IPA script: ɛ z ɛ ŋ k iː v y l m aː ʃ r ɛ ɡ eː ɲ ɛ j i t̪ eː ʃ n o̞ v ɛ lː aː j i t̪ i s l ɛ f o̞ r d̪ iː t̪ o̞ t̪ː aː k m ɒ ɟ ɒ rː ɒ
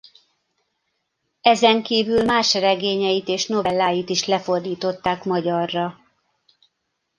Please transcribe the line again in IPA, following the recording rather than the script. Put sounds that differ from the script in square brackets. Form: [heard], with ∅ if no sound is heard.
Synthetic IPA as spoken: ɛ z ɛ ŋ k iː v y l m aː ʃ r ɛ ɡ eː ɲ ɛ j i t̪ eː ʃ n o̞ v ɛ lː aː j i t̪ i [ʃ] l ɛ f o̞ r d̪ iː t̪ o̞ t̪ː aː k m ɒ ɟ ɒ rː ɒ